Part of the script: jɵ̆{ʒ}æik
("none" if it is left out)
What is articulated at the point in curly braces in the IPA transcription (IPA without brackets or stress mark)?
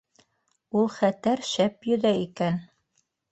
ð